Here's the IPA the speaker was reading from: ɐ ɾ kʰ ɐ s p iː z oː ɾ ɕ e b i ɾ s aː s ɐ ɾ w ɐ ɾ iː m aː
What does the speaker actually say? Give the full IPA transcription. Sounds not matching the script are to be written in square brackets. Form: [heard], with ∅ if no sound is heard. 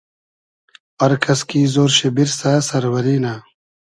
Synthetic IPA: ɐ ɾ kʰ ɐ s [k] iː z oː ɾ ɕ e b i ɾ s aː s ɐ ɾ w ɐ ɾ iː [n] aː